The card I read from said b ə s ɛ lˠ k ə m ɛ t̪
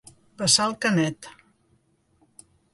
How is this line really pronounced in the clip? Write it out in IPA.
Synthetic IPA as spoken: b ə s a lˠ k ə n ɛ t̪

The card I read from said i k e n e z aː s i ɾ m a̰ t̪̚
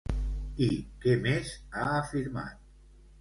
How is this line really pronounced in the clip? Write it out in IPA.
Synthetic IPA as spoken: i k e m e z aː f i ɾ m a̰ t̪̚

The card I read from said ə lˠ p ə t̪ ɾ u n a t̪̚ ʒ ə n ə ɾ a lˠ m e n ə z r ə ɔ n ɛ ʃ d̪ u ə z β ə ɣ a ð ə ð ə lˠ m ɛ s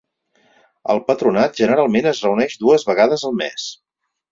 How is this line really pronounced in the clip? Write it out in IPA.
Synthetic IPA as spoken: ə lˠ p ə t̪ ɾ u n a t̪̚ ʒ ə n ə ɾ a lˠ m e n ə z r ə u n ɛ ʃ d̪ u ə z β ə ɣ a ð ə z ə lˠ m ɛ s

